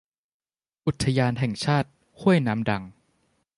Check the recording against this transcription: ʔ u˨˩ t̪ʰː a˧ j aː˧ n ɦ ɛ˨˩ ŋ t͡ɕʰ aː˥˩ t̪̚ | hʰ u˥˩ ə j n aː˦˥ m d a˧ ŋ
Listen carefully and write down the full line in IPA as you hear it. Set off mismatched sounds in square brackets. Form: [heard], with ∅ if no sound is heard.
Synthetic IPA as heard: ʔ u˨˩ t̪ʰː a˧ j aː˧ n ɦ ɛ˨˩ ŋ t͡ɕʰ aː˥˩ t̪̚ | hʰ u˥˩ ə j n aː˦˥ m d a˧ ŋ